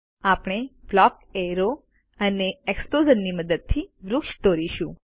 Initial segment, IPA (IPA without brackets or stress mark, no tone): a